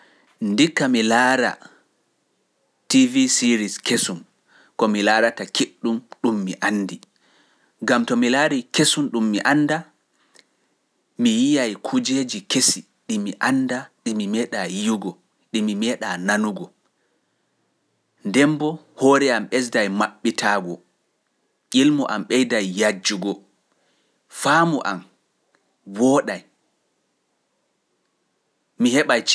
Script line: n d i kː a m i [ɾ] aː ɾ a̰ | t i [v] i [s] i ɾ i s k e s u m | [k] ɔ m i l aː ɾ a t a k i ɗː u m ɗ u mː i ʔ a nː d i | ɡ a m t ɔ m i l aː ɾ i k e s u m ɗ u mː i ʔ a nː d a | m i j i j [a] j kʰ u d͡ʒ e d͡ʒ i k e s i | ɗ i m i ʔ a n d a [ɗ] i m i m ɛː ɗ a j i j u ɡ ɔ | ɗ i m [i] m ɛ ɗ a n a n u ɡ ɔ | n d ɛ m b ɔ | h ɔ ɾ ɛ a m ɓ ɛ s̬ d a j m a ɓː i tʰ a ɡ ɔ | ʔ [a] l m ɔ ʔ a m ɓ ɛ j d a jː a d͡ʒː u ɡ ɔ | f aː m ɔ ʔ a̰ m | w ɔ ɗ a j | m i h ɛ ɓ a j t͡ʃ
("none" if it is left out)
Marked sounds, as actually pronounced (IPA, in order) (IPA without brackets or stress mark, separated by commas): l, v, s, k, a, ɗ, i, i